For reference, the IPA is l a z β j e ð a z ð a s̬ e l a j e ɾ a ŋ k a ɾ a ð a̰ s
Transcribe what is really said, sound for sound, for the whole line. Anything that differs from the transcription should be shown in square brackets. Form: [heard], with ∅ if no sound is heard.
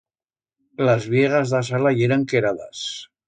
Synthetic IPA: l a z β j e [ɣ] a z ð a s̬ [a] l a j e ɾ a ŋ k [e] ɾ a ð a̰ s